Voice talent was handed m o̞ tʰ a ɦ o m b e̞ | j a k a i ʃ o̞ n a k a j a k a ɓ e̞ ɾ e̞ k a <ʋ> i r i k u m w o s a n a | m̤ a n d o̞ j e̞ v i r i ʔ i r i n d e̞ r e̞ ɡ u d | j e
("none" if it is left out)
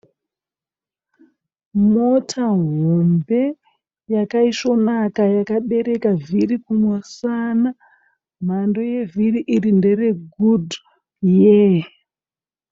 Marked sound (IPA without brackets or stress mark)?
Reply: v